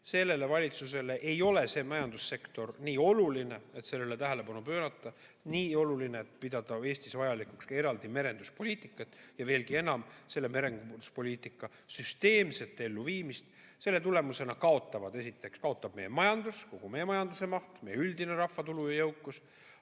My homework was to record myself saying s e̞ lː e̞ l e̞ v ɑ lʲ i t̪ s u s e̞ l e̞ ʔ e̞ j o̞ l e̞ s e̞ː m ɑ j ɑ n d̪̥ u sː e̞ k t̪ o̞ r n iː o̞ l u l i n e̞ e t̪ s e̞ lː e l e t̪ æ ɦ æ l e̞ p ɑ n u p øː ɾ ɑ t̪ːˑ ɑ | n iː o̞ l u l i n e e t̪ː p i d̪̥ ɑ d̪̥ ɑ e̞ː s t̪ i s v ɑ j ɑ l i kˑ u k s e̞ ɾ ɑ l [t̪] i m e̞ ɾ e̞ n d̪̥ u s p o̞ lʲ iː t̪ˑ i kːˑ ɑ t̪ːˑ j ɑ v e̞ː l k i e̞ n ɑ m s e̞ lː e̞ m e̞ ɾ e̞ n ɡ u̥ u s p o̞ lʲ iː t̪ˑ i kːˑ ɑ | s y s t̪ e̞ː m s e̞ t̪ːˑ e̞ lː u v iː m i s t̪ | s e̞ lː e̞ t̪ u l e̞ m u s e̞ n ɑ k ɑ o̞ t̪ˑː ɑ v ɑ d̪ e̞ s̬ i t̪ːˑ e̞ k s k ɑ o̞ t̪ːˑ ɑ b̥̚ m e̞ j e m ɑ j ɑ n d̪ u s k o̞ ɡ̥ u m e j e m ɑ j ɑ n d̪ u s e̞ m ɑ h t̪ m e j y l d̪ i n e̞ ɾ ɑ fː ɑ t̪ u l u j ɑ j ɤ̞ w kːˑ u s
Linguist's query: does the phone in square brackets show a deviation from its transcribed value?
yes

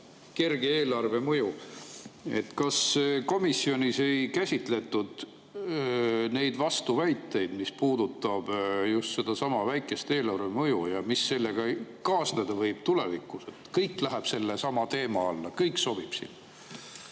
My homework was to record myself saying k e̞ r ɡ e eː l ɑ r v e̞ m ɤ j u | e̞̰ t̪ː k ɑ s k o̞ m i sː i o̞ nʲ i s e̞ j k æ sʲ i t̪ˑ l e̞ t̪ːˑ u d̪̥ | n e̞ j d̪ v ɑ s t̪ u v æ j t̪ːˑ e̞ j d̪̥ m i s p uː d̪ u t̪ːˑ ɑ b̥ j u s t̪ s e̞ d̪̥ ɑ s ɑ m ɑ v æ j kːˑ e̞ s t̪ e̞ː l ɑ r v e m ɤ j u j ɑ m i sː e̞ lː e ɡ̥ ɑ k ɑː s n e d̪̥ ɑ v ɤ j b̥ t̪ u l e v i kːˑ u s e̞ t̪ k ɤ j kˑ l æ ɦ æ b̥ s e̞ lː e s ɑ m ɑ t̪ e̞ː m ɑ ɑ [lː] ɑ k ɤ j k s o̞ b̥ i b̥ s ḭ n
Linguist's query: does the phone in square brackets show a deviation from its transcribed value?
no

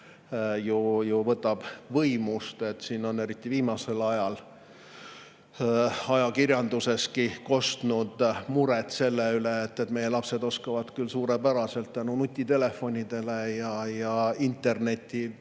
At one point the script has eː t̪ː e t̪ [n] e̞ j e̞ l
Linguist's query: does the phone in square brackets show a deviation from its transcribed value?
yes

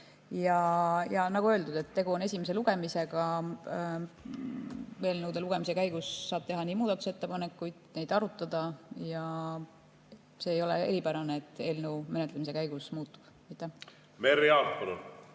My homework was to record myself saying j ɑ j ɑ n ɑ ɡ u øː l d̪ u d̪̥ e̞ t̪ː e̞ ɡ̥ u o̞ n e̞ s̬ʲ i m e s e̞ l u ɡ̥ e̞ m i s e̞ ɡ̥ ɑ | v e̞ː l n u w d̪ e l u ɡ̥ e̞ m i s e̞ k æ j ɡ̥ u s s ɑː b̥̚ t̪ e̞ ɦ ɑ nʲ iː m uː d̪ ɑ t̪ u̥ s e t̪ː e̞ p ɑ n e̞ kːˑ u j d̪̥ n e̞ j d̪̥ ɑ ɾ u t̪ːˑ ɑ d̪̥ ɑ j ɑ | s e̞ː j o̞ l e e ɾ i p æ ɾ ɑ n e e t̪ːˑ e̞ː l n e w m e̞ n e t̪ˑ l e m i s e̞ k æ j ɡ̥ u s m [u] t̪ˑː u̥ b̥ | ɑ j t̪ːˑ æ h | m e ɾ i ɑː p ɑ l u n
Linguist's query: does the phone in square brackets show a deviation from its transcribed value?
yes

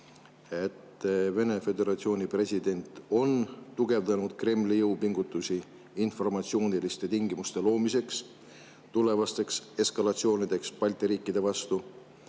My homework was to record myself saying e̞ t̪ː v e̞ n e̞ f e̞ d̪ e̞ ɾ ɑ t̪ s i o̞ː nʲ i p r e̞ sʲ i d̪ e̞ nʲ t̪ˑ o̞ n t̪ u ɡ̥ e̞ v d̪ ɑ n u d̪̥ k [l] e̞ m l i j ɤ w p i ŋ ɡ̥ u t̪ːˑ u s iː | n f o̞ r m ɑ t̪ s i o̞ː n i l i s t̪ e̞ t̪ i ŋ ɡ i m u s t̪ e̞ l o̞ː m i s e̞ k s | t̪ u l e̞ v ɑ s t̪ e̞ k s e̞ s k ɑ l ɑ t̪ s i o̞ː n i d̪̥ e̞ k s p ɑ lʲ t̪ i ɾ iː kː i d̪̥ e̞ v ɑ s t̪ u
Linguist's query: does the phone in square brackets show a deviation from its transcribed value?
yes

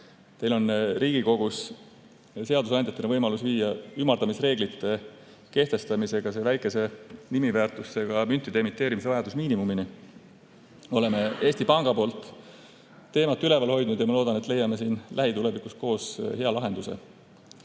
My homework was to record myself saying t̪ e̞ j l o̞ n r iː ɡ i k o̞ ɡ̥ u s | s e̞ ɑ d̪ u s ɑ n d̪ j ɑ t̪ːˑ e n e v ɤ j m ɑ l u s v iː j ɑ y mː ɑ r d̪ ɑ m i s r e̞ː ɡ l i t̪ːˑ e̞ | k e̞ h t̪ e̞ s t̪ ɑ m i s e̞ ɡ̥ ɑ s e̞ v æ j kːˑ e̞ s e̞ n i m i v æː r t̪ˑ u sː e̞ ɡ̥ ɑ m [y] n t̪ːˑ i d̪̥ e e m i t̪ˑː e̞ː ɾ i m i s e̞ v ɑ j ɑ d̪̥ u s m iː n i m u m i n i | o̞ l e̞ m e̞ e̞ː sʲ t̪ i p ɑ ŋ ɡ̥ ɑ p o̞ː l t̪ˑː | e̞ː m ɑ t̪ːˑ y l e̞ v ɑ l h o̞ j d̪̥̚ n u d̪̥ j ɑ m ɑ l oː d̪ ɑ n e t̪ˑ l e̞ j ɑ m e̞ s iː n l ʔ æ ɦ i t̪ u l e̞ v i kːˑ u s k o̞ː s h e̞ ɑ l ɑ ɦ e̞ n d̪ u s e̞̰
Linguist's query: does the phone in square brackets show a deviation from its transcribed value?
no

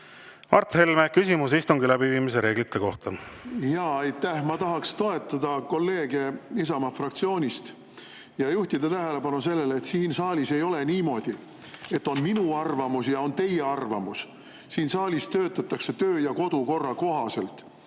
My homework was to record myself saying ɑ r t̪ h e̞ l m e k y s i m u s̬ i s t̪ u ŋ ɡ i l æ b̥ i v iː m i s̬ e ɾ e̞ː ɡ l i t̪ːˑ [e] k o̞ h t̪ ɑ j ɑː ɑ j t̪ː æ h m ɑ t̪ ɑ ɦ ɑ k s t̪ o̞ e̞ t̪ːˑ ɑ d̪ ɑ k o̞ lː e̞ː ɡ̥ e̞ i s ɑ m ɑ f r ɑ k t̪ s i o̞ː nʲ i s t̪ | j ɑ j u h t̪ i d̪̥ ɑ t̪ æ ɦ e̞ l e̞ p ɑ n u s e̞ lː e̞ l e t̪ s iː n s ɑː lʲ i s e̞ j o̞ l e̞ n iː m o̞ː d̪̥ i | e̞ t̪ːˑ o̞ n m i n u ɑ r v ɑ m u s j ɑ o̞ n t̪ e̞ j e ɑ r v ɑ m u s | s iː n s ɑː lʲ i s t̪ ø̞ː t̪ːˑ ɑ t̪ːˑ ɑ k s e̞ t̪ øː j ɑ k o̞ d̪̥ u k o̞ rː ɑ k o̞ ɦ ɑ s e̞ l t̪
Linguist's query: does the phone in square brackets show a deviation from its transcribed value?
no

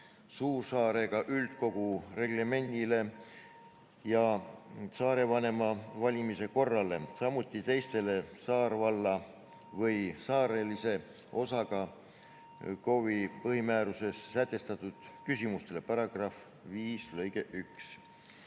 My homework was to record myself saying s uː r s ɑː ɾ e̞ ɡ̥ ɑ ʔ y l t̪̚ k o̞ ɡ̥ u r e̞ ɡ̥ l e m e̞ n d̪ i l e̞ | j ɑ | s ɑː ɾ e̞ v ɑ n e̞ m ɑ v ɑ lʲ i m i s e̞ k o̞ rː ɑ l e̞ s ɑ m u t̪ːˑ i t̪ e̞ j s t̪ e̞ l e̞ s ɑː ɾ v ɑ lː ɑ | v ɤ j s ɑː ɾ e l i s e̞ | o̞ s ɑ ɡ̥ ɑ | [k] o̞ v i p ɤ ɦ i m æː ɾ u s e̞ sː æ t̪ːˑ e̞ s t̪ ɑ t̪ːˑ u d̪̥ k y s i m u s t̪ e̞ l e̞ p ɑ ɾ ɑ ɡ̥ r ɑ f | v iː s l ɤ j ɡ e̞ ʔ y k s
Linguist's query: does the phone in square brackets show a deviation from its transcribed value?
no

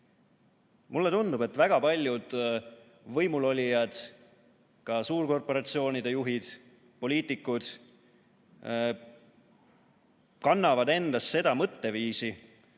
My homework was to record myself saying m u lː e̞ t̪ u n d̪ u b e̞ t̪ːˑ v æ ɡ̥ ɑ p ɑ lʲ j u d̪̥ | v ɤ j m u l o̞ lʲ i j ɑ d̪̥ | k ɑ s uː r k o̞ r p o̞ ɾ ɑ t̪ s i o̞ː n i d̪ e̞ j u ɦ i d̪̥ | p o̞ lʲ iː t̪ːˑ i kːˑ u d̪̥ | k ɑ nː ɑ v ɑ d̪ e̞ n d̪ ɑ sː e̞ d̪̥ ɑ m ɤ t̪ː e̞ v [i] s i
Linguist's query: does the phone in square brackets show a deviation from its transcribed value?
yes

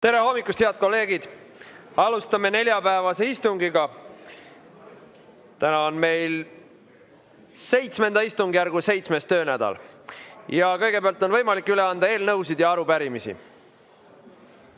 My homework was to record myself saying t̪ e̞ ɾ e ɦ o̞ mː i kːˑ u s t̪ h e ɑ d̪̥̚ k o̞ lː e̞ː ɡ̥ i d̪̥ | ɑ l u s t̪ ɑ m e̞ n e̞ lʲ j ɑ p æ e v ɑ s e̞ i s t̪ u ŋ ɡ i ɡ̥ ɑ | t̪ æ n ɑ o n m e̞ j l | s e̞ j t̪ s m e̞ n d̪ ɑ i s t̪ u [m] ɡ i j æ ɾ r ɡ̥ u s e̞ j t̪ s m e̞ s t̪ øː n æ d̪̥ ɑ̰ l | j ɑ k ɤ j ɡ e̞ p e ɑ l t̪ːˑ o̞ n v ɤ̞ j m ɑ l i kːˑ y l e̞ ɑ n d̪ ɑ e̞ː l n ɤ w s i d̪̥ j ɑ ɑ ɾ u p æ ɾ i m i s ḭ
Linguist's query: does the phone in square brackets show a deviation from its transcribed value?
yes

